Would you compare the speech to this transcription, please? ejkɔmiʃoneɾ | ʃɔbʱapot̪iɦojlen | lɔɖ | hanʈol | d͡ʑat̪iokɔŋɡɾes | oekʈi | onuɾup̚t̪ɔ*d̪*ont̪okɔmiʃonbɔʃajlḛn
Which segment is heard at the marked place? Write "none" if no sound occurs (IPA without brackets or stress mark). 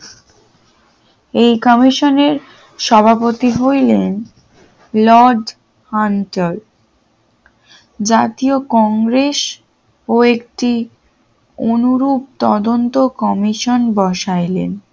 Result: d̪